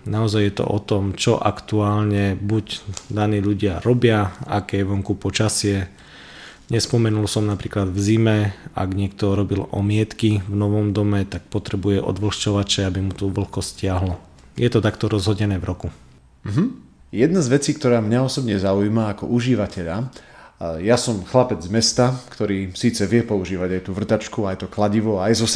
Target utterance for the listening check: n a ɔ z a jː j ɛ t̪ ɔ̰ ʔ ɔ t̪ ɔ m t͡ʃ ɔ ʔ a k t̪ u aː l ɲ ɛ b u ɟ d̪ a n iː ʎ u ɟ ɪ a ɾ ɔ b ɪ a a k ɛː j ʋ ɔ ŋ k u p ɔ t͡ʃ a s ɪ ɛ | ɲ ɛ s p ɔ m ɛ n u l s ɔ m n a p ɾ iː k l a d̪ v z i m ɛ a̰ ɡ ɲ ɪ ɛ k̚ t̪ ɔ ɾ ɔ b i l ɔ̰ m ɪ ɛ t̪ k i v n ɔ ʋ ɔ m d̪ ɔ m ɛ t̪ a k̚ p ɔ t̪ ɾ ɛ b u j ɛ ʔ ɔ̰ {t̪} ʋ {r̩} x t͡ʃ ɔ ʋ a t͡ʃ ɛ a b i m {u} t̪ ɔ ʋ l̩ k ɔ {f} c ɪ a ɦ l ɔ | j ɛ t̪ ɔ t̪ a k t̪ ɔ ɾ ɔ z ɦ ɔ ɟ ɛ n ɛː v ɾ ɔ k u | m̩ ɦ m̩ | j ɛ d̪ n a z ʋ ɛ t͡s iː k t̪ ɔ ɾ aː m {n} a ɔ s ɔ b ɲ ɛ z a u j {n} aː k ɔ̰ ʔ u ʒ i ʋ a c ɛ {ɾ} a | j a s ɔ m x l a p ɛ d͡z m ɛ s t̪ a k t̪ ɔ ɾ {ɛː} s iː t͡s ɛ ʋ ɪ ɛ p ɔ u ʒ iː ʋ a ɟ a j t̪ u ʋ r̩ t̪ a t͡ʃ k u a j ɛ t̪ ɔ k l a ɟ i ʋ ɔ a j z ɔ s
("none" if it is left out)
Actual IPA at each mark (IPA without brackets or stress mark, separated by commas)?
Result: d̪, l̩, u, s, ɲ, m, ʎ, iː